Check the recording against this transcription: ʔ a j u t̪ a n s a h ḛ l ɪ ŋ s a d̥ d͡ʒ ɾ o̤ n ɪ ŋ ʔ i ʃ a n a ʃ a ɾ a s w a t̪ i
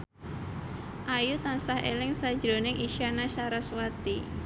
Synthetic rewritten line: ʔ a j u t̪ a n s a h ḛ l ɪ ŋ s a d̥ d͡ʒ ɾ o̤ n ɪ ŋ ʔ i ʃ a n a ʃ a ɾ a s w a t̪ i